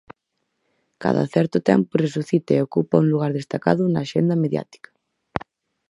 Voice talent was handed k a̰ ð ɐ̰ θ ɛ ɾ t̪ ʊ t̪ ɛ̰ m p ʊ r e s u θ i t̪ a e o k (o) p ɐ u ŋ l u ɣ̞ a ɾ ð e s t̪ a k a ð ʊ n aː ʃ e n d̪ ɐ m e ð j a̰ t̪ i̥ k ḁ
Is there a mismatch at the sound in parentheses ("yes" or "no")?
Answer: yes